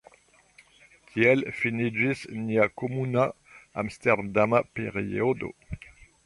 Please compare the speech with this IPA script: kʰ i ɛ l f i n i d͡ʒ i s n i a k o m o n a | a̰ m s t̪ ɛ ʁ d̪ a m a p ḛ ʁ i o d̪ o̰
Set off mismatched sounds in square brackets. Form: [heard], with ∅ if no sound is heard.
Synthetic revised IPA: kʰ i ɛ l f i n i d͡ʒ i s n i a k o m [u] n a | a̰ m s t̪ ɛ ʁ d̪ a m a p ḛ ʁ i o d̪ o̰